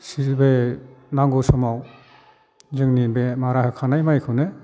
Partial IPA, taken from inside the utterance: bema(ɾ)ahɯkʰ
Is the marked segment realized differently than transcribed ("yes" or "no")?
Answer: no